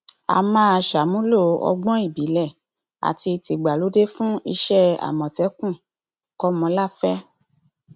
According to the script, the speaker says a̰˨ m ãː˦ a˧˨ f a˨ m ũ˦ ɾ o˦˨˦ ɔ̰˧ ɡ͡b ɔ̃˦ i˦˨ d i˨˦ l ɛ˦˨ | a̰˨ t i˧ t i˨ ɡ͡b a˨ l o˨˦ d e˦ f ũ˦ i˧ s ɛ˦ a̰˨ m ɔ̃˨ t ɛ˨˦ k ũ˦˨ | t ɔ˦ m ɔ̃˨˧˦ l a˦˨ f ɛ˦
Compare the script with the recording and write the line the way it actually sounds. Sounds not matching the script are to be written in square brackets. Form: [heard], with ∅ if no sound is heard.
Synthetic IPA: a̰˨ m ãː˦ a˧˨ [ʃ] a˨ m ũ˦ [l] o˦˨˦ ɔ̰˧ ɡ͡b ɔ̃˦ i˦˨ [b] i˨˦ l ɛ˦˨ | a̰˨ t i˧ t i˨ ɡ͡b a˨ l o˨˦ d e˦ f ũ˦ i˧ [ʃ] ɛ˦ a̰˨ m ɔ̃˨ t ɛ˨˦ k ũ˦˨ | [k] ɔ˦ m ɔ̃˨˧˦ l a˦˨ f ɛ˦

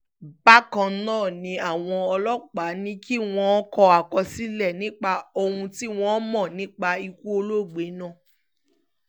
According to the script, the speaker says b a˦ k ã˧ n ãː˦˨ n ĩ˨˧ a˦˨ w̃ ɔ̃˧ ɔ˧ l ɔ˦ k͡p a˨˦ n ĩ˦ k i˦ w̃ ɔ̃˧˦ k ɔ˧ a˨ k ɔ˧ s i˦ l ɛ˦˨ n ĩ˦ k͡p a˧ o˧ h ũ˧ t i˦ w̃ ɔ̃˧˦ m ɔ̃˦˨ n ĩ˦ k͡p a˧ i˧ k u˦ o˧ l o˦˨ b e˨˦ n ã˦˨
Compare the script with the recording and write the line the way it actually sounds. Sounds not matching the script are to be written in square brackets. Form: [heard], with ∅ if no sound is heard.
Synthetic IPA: b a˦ k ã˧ n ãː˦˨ n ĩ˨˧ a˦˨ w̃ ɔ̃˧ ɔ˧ l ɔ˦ k͡p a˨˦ n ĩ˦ k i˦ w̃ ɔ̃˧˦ k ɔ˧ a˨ k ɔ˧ s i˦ l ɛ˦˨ n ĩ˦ k͡p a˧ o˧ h ũ˧ t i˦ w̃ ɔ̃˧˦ m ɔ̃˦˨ n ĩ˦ k͡p a˧ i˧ k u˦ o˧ l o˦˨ [ɡ͡b] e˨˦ n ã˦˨

